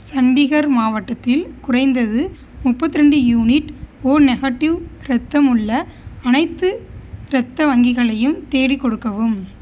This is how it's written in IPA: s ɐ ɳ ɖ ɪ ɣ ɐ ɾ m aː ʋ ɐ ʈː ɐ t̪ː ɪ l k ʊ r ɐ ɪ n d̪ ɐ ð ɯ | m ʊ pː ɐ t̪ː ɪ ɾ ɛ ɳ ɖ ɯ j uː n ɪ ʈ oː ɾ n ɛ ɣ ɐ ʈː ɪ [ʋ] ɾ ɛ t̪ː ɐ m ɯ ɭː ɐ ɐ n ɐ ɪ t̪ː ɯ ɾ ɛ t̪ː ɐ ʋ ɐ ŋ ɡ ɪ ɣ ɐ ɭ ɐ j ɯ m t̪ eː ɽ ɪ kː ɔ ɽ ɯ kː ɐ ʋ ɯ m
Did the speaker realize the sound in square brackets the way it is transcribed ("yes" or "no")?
yes